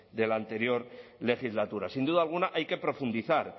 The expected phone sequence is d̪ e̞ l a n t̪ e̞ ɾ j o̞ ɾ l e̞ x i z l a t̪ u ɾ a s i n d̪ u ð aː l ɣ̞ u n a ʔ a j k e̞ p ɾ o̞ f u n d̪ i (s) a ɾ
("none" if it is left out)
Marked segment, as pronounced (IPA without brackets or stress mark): θ